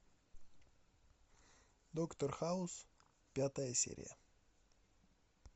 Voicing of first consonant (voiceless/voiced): voiced